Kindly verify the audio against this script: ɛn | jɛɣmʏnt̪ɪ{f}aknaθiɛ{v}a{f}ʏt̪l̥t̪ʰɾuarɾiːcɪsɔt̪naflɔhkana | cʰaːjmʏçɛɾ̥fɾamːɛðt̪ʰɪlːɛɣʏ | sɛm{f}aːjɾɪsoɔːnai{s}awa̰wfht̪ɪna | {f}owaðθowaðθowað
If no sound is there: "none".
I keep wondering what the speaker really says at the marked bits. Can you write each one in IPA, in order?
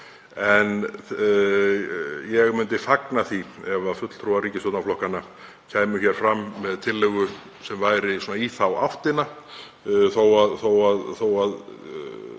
f, v, f, v, θ, θ

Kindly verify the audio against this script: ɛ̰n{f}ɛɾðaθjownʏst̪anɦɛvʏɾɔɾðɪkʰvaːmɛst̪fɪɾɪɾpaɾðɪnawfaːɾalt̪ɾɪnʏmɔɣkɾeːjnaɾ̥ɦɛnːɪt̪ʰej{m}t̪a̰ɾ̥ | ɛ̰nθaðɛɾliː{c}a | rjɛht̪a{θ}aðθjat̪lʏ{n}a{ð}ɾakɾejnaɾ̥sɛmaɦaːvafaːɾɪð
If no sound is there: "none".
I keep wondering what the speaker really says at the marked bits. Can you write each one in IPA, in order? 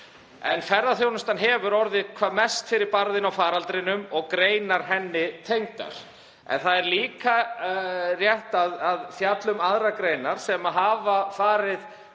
f, ŋ, k, ð, m, ð

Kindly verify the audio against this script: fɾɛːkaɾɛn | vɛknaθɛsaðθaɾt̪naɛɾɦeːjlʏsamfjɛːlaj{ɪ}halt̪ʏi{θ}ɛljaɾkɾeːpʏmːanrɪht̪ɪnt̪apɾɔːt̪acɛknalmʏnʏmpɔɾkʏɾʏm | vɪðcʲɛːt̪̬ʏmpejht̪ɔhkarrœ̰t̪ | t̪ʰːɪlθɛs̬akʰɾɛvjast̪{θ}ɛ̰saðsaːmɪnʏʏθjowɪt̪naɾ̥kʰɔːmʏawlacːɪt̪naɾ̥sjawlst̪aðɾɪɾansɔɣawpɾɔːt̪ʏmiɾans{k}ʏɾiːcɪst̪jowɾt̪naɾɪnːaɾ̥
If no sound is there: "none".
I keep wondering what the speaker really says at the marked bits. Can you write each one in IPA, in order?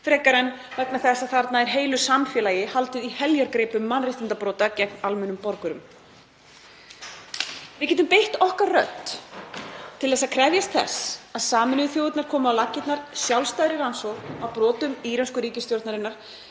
ɪ, h, θ, k

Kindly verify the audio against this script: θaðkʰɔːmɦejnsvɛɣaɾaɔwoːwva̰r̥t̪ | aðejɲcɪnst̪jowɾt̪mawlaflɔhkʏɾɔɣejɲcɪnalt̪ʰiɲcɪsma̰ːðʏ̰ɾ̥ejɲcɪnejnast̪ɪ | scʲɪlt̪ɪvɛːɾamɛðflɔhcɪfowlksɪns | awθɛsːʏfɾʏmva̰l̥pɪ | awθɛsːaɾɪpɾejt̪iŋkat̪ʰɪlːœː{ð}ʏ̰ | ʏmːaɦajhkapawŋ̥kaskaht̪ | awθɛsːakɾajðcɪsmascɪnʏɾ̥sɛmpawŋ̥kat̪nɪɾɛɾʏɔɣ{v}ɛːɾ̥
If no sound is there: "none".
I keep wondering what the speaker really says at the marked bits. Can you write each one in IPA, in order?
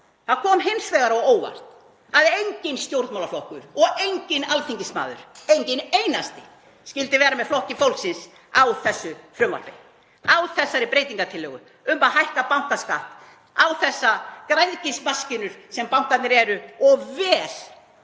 ɣ, v

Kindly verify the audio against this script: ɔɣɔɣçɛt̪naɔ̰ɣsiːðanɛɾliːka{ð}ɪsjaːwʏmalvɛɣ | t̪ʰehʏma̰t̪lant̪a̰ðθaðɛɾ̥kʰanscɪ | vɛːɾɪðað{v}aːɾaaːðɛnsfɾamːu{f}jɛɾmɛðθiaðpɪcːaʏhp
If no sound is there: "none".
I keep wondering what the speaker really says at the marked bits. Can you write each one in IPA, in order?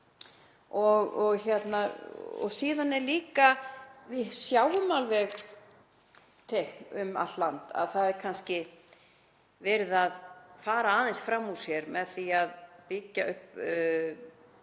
v, f, s

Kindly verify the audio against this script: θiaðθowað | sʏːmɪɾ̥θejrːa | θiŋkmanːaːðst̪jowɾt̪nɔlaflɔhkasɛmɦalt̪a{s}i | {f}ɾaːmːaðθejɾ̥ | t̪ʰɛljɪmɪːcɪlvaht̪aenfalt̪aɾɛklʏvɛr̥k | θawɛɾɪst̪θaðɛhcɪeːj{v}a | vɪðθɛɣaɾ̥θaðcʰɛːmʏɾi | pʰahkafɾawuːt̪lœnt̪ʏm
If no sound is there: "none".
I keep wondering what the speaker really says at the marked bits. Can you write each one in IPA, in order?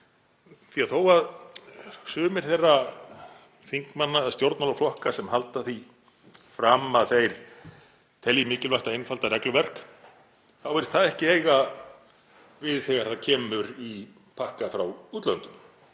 θ, f, ɣ

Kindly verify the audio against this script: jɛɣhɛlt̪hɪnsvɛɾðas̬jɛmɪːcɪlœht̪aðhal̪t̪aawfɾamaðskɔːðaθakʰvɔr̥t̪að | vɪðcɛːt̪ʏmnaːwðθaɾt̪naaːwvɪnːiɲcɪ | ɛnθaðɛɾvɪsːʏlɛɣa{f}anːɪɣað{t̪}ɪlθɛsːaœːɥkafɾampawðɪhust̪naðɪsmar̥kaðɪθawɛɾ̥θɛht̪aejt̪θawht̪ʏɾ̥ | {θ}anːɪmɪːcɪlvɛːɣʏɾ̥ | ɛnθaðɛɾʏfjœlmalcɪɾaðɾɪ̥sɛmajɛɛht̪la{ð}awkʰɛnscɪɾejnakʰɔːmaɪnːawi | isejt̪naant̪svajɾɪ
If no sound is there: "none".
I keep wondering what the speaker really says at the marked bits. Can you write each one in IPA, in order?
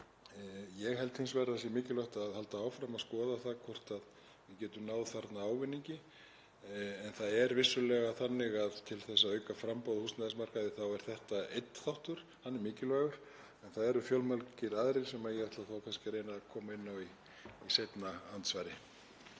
θ, t̪ʰ, h, θ

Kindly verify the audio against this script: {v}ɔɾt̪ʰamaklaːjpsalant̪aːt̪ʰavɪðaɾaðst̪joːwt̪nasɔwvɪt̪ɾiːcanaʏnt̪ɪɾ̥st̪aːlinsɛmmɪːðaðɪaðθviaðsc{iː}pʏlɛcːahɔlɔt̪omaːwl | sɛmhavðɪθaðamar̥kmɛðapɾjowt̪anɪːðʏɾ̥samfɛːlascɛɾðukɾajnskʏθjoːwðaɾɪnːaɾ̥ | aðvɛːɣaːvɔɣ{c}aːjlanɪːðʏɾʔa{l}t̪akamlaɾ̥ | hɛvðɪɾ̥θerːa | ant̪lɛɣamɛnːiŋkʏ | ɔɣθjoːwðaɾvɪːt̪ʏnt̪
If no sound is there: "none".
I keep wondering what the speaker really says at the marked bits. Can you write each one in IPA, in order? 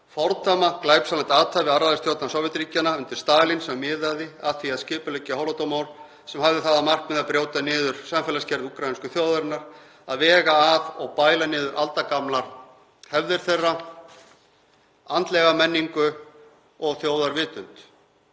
f, ɪː, p, l

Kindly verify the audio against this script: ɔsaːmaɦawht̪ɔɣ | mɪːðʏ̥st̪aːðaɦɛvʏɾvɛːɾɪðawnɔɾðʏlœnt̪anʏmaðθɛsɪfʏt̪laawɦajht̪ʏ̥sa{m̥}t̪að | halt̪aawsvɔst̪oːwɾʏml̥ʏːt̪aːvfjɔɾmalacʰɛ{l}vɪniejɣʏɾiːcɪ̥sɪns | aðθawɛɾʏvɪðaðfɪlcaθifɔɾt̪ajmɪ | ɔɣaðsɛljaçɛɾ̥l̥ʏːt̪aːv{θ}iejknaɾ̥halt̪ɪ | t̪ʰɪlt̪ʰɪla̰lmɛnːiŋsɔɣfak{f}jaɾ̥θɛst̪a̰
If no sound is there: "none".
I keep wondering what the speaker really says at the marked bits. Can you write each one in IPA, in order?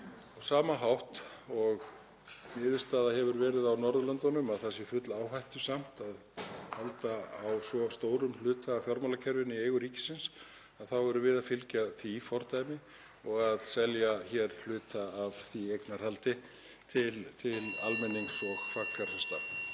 m̥, ɾ, θ, f

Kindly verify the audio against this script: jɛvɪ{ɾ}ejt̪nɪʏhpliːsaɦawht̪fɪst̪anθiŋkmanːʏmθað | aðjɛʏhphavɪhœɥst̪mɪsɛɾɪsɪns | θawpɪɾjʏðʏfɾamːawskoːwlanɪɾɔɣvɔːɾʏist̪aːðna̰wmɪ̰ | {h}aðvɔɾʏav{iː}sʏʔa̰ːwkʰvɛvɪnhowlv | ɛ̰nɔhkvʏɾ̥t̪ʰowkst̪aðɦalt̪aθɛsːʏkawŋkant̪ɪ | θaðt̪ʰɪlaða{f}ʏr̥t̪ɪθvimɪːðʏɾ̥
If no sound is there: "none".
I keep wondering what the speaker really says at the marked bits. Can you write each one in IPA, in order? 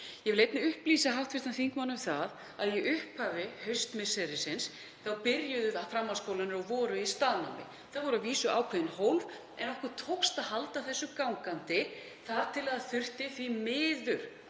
l, θ, iː, θ

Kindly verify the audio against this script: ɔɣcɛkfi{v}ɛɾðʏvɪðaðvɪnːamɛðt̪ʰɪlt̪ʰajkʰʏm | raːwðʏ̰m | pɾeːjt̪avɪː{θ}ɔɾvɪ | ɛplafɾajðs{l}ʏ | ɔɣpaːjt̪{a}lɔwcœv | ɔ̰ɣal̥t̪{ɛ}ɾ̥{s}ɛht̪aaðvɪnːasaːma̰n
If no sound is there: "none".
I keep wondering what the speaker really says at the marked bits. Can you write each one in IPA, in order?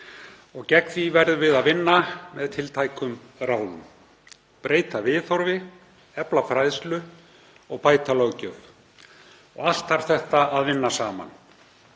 v, θ, l, a, a, θ

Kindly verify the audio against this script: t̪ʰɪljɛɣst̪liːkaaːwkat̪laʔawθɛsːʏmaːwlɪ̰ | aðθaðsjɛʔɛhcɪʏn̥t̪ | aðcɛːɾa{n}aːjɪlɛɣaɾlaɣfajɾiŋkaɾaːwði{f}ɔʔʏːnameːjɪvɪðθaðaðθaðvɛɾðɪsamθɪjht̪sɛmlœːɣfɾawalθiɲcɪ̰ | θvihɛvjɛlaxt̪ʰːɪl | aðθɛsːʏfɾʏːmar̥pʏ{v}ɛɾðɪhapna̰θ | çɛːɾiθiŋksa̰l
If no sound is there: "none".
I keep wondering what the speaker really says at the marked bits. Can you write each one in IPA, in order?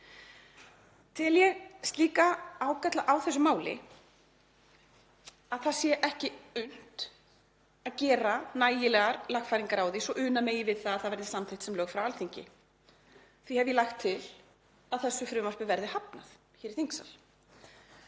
n, s, v

